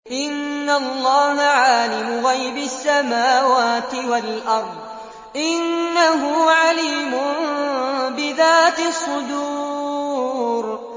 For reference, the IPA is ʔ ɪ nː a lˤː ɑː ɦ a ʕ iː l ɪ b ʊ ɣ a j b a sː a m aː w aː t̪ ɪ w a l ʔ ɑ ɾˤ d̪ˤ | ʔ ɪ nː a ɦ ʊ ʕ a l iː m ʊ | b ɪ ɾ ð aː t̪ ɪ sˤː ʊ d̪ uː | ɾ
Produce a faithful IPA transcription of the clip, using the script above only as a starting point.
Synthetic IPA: ʔ ɪ nː a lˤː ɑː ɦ a ʕ aː l ɪ m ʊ ɣ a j b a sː a m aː w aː t̪ ɪ w a l ʔ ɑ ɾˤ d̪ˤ | ʔ ɪ nː a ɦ ʊ ʕ a l iː m ʊ | b ɪ ð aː t̪ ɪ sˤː ʊ d̪ uː | ɾ